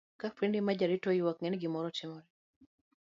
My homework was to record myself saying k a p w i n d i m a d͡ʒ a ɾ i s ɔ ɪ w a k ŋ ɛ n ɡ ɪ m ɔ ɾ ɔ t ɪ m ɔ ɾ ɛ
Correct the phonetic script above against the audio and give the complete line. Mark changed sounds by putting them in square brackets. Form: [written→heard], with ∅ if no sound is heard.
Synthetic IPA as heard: k a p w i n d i m a d͡ʒ a ɾ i [s→t] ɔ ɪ w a k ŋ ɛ n ɡ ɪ m ɔ ɾ ɔ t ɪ m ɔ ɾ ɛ